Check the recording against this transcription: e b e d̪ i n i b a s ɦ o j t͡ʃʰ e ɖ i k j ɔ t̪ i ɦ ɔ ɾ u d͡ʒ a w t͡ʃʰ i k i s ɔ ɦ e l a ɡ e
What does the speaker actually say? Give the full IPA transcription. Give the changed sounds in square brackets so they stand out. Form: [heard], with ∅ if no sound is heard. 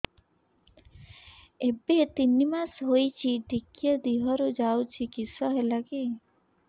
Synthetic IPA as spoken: e b e [t̪] i n i [m] a s ɦ o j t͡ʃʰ [i] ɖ i k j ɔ [d̪] i ɦ ɔ ɾ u d͡ʒ a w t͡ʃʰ i k i s ɔ ɦ e l a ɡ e